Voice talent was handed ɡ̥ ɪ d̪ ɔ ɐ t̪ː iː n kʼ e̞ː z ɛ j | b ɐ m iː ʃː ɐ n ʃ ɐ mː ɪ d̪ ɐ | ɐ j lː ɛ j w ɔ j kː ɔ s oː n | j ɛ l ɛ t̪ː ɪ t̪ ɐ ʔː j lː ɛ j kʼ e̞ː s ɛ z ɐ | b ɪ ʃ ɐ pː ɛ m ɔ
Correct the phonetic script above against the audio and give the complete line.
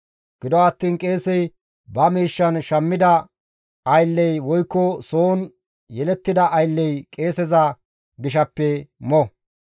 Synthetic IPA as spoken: ɡ̥ ɪ d̪ ɔ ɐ t̪ː iː n kʼ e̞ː s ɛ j | b ɐ m iː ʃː ɐ n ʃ ɐ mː ɪ d̪ ɐ | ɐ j lː ɛ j w ɔ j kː ɔ s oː n | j ɛ l ɛ t̪ː ɪ d̪ ɐ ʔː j lː ɛ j kʼ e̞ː s ɛ z ɐ | ɡ ɪ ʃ ɐ pː ɛ m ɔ